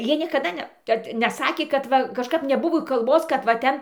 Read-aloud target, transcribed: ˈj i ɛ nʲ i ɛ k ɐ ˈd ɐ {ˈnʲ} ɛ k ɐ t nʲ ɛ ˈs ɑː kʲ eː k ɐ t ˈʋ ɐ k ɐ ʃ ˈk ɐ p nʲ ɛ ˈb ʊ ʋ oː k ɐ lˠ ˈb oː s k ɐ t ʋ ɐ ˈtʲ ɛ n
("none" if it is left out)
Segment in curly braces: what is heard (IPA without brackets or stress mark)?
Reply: nʲ